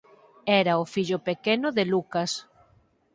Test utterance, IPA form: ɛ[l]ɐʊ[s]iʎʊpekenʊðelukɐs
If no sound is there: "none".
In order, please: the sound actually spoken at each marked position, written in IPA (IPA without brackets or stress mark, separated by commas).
ɾ, f